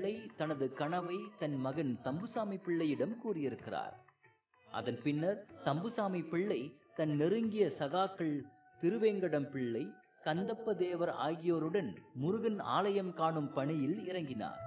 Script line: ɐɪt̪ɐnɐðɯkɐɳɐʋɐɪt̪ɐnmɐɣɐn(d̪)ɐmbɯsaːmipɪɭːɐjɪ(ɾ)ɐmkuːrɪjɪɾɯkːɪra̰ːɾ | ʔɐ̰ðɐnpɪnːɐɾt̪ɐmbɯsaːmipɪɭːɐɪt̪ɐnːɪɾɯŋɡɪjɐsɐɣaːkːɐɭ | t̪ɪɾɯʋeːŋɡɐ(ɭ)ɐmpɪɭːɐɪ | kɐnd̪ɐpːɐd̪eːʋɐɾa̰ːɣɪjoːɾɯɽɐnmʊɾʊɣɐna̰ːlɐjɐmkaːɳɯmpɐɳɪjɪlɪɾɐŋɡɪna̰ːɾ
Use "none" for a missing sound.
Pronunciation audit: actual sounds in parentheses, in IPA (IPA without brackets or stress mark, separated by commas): t̪, ɽ, ɽ